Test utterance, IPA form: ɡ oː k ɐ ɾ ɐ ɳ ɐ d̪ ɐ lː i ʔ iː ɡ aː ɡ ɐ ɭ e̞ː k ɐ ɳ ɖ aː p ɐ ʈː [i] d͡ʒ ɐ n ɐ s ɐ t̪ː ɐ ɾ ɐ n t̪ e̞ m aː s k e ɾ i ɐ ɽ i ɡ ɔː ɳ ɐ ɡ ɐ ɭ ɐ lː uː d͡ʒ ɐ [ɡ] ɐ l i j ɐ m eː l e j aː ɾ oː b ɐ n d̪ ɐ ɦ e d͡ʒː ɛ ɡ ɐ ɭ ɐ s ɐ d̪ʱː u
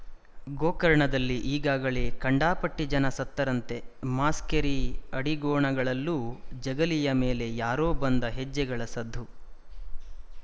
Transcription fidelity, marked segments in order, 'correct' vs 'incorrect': correct, correct

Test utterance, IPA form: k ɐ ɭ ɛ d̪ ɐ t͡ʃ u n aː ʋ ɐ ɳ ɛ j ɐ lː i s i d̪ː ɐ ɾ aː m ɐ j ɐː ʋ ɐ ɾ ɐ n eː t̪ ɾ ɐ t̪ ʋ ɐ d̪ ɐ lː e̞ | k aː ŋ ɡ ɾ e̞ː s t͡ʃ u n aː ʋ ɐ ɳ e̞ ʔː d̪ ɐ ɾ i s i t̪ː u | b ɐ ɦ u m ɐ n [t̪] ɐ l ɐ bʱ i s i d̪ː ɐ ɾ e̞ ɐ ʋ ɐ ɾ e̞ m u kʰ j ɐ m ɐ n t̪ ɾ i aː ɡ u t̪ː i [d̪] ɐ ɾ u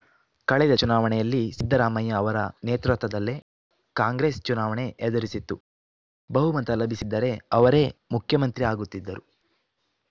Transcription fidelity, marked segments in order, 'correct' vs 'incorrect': correct, incorrect

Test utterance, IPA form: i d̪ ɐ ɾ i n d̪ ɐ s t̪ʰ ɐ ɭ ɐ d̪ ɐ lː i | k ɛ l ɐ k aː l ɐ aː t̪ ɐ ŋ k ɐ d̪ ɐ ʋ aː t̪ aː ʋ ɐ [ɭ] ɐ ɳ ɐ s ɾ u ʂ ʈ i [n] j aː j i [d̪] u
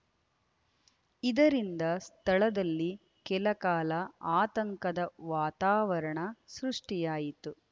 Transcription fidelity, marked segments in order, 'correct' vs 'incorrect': incorrect, incorrect, incorrect

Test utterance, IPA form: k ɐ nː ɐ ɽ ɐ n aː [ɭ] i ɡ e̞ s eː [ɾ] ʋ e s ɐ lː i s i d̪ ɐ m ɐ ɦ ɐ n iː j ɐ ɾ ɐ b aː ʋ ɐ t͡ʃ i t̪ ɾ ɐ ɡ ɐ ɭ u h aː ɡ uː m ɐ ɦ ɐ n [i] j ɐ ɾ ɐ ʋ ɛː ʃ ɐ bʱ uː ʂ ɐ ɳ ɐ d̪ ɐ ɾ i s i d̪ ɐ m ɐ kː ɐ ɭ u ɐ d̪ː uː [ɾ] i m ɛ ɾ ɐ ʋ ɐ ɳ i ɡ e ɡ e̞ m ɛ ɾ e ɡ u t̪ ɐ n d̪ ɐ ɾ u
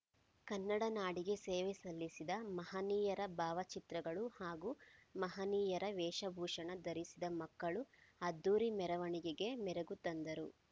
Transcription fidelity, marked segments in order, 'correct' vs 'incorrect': incorrect, incorrect, incorrect, correct

